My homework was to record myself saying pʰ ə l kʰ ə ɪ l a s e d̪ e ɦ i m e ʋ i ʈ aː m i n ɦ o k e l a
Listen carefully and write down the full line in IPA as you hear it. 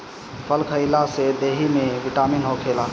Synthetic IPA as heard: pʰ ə l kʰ ə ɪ l a s e d̪ e ɦ i m e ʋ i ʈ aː m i n ɦ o kʰ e l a